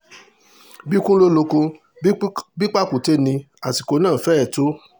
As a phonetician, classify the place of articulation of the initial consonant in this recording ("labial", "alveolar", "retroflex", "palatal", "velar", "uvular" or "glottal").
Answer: labial